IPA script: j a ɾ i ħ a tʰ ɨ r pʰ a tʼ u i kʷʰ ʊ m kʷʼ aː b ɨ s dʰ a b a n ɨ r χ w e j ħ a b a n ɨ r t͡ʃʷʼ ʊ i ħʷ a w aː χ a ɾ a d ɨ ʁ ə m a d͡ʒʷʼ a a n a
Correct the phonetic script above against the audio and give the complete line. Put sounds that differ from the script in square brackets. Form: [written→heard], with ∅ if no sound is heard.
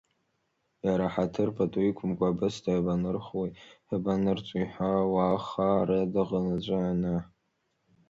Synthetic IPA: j a ɾ [i→a] ħ a tʰ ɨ r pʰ a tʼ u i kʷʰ ʊ m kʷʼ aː b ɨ s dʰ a b a n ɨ r χ w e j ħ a b a n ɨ r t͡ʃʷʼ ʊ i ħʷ a w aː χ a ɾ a d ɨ ʁ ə [m→n] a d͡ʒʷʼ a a n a